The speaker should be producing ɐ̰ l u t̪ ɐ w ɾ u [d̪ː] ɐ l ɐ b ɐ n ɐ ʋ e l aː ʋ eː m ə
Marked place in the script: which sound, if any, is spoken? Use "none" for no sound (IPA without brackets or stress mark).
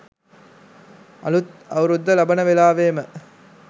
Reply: d̪ː